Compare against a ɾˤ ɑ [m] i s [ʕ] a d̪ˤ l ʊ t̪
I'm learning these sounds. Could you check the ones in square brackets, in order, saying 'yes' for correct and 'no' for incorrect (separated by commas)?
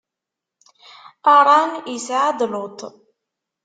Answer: no, yes